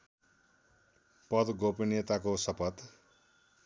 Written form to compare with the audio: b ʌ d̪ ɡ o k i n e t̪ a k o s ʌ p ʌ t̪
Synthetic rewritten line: p ʌ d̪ ɡ o p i n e t̪ a k o s ʌ p ʌ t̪